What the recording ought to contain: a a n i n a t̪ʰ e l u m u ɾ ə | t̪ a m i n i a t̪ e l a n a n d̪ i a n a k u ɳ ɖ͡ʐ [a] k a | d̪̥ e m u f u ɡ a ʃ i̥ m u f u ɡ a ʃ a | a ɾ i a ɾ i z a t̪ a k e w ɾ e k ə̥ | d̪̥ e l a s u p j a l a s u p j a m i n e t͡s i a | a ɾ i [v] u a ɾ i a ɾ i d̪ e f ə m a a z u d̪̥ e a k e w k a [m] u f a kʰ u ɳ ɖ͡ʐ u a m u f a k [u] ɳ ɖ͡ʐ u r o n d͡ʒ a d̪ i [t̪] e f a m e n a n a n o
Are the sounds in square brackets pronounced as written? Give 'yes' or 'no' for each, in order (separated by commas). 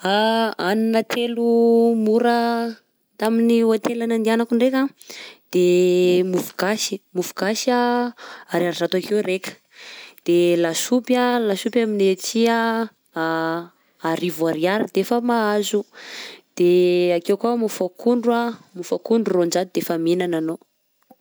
no, yes, yes, yes, no